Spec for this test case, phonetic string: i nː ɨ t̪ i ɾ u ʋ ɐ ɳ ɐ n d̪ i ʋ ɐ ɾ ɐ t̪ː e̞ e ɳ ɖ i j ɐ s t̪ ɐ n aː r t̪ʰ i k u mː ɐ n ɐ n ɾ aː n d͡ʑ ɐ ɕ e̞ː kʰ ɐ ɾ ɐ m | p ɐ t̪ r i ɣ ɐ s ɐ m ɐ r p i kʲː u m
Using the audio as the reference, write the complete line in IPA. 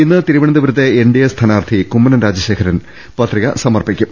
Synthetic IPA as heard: i nː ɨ t̪ i ɾ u ʋ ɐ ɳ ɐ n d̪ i ʋ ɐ ɾ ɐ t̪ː e̞ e ɳ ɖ i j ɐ s t̪ʰ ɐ n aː r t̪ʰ i k u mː ɐ n ɐ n ɾ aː d͡ʑ ɐ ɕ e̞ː kʰ ɐ ɾ ɐ n | p ɐ t̪ r i ɣ ɐ s ɐ m ɐ r p i kʲː u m

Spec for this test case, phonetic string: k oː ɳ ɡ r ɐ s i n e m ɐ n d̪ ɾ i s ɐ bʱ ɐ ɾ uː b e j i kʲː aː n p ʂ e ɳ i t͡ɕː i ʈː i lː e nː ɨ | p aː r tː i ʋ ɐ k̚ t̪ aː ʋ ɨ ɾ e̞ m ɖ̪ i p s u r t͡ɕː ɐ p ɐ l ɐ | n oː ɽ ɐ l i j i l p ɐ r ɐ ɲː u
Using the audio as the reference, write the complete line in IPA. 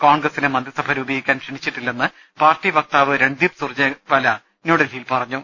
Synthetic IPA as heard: k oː ɳ ɡ r ɐ s i n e m ɐ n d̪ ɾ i s ɐ bʱ ɐ ɾ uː b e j i kʲː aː n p ʂ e ɳ i t͡ɕː i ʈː i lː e nː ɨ | p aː r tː i ʋ ɐ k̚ t̪ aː ʋ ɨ ɾ e̞ ɳ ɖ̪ i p s u r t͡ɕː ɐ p ɐ l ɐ | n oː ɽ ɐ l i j i l p ɐ r ɐ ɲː u

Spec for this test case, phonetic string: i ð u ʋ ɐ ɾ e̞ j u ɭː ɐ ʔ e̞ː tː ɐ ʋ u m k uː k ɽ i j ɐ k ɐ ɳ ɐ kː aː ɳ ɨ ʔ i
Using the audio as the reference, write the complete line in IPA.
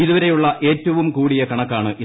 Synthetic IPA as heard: i ð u ʋ ɐ ɾ e̞ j u ɭː ɐ ʔ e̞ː tː ɐ ʋ u m k uː ɽ i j ɐ k ɐ ɳ ɐ kː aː ɳ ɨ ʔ i

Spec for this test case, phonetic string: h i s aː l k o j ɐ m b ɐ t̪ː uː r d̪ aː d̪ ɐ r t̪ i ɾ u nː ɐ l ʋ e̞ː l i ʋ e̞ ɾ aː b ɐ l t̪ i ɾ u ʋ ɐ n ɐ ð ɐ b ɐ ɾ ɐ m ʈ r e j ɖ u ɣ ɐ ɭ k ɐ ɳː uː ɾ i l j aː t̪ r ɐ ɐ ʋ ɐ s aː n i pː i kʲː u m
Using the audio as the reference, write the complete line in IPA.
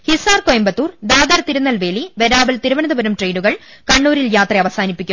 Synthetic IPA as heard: h i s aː r k o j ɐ m b ɐ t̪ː uː r d̪ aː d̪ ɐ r t̪ i ɾ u nː ɐ l ʋ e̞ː l i ʋ e̞ ɾ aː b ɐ l t̪ i ɾ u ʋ ɐ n ɐ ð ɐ b ɐ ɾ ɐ m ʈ r e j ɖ u ɣ ɐ ɭ k ɐ ɳː uː ɾ i l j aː t̪ r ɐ ɐ ʋ ɐ s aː n i pː i kʲː u m

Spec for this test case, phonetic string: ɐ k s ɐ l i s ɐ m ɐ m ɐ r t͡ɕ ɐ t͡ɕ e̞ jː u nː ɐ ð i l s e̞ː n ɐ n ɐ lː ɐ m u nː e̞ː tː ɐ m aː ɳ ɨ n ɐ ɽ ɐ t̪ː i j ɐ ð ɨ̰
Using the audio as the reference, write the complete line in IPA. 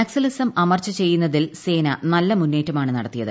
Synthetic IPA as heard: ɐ k s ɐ l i s ɐ m ɐ m ɐ r t͡ɕ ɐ t͡ɕ e̞ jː u nː ɐ ð i l s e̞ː n ɐ n ɐ lː ɐ m u nː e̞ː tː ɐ m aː ɳ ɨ n ɐ ɽ ɐ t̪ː i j ɐ ð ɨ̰

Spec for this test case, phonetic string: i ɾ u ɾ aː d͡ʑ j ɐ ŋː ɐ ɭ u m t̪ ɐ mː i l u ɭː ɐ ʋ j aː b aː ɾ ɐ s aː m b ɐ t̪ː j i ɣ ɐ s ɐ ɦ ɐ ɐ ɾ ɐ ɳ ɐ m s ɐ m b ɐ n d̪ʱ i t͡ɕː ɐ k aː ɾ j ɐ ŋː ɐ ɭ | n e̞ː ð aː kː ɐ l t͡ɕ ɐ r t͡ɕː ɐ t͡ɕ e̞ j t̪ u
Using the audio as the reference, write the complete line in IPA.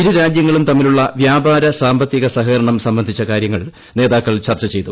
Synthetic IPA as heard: i ɾ u ɾ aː d͡ʑ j ɐ ŋː ɐ ɭ u m t̪ ɐ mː i l u ɭː ɐ ʋ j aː b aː ɾ ɐ s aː m b ɐ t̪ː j i ɣ ɐ s ɐ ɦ ɐ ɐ ɾ ɐ ɳ ɐ m s ɐ m b ɐ n d̪ʱ i t͡ɕː ɐ k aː ɾ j ɐ ŋː ɐ ɭ | n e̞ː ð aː kː ɐ ɭ t͡ɕ ɐ r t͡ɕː ɐ t͡ɕ e̞ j t̪ u

